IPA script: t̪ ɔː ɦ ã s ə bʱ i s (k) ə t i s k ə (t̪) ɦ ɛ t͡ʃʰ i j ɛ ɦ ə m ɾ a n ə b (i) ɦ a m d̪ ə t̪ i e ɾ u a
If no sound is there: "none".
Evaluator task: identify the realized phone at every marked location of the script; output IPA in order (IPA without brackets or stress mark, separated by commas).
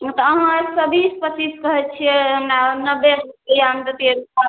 p, none, e